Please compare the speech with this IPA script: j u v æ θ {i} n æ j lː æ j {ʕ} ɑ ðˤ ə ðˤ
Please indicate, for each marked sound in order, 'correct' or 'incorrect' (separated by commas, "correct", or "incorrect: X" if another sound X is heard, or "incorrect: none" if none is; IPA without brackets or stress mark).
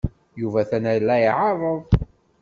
incorrect: æ, correct